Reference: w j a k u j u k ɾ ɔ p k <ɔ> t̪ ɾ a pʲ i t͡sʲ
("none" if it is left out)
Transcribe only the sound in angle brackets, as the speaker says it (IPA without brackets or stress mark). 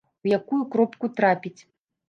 u